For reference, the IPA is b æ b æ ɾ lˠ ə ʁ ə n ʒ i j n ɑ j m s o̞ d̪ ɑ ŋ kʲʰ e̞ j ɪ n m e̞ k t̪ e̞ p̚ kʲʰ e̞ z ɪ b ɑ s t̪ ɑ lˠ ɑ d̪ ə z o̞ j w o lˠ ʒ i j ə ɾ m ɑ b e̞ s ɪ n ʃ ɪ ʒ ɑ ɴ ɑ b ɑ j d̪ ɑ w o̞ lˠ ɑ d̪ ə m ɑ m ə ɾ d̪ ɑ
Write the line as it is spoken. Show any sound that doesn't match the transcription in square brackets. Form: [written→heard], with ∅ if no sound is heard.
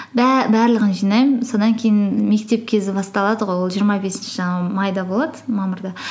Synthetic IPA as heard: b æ b æ ɾ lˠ ə ʁ ə n ʒ i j n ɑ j m s o̞ d̪ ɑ ŋ kʲʰ e̞ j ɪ n m e̞ k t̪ e̞ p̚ kʲʰ e̞ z ɪ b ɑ s t̪ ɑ lˠ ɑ d̪ ə [z→ʁ] o̞ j w o lˠ ʒ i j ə ɾ m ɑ b e̞ s ɪ n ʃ ɪ ʒ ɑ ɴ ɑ [b→m] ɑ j d̪ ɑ [w→b] o̞ lˠ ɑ d̪ ə m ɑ m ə ɾ d̪ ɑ